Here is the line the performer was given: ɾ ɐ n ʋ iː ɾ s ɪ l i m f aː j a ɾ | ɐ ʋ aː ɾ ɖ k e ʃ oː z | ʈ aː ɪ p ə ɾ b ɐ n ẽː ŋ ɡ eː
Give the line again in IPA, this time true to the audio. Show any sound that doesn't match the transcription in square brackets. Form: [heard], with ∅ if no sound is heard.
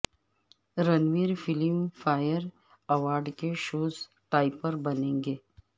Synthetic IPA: ɾ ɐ n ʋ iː ɾ [f] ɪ l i m f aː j [ə] ɾ | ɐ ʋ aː ɾ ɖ k e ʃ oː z | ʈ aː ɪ p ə ɾ b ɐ n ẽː ŋ ɡ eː

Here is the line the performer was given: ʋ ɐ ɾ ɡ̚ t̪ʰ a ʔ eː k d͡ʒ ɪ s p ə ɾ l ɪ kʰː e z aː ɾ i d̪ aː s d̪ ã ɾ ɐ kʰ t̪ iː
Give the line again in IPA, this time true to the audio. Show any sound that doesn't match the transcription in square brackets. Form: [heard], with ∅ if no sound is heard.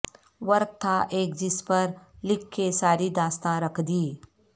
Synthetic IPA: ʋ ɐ ɾ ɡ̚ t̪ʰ a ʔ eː k d͡ʒ ɪ s p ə ɾ l ɪ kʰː e [s] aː ɾ i d̪ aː s [t̪] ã ɾ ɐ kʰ [d̪] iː

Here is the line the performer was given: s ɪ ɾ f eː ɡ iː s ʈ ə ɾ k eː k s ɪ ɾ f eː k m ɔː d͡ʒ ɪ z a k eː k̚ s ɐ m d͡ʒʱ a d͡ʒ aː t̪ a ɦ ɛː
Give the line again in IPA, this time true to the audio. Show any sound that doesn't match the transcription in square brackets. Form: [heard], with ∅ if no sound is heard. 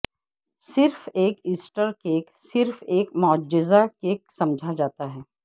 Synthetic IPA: s ɪ ɾ f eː [k] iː s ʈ ə ɾ k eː k s ɪ ɾ f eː k m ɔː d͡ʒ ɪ z a k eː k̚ s ɐ m d͡ʒʱ a d͡ʒ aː t̪ a ɦ ɛː

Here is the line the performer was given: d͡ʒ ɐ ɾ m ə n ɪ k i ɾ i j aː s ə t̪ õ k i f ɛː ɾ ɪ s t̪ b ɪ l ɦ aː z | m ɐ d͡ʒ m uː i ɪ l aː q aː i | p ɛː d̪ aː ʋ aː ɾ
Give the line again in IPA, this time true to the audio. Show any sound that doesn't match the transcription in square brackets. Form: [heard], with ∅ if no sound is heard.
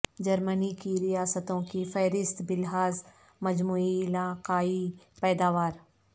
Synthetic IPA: d͡ʒ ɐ ɾ m ə n [i] k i ɾ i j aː s ə t̪ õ k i f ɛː ɾ ɪ s t̪ b ɪ l ɦ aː z | m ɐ d͡ʒ m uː i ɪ l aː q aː i | p ɛː d̪ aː ʋ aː ɾ

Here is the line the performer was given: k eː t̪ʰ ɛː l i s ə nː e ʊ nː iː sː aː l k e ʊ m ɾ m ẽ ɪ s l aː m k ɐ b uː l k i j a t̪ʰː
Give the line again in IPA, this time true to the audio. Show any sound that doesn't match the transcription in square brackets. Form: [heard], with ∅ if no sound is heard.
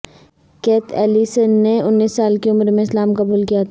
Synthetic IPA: k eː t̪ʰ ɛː l i s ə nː e ʊ nː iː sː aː l k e ʊ m ɾ m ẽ ɪ s l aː m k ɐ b uː l k i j a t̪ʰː

